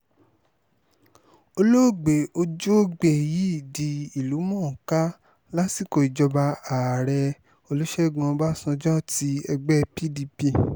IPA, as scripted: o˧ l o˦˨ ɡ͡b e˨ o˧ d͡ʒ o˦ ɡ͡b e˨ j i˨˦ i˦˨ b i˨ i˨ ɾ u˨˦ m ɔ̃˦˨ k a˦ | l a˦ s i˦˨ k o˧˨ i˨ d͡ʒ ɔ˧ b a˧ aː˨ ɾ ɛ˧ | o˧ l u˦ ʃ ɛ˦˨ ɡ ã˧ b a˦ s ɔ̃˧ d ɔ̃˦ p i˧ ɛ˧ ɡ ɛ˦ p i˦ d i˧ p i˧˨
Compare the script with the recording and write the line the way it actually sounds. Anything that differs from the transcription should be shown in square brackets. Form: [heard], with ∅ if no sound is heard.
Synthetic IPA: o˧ l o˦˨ ɡ͡b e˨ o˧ d͡ʒ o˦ ɡ͡b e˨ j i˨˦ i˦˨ [d] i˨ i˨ [l] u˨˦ m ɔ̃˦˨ k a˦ | l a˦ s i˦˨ k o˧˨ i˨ d͡ʒ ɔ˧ b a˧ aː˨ ɾ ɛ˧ | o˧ l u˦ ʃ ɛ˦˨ ɡ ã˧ b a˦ s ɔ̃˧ [d͡ʒ] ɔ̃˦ [t] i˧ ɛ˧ [ɡ͡b] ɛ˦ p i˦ d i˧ p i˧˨